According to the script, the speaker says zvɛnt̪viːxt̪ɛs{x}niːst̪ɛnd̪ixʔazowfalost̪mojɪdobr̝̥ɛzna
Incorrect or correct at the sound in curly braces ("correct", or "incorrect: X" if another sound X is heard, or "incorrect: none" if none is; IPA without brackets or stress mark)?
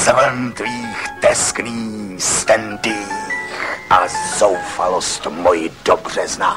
incorrect: k